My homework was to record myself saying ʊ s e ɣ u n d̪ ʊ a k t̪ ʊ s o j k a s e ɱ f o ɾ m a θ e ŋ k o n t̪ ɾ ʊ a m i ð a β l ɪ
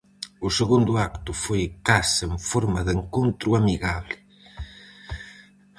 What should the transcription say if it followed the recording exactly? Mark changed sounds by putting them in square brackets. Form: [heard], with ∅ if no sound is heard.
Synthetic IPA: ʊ s e ɣ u n d̪ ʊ a k t̪ ʊ [f] o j k a s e ɱ f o ɾ m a [ð] e ŋ k o n t̪ ɾ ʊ a m i [ɣ] a β l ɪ